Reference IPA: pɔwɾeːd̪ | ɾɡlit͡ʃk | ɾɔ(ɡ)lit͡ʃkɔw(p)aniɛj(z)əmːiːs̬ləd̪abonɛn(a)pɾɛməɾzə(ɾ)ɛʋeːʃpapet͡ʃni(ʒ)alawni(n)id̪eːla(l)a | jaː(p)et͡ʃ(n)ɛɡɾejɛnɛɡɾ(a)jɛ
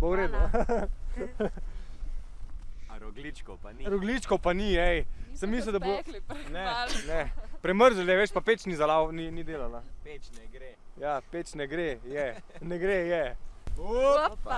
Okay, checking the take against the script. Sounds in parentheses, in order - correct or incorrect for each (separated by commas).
correct, correct, incorrect, incorrect, incorrect, incorrect, correct, correct, correct, correct, incorrect